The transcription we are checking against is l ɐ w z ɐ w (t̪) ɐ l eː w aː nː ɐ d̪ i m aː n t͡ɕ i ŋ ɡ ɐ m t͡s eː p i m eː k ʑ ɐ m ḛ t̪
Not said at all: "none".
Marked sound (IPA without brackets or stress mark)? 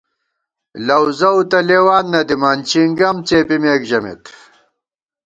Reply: t̪